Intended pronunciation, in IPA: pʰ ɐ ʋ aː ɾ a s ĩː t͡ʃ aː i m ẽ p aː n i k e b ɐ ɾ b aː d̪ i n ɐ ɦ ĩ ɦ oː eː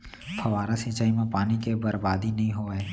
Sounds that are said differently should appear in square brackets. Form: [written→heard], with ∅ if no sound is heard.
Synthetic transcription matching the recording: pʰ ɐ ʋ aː ɾ a s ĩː t͡ʃ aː i m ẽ p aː n i k e b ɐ ɾ b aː d̪ i n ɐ ɦ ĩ ɦ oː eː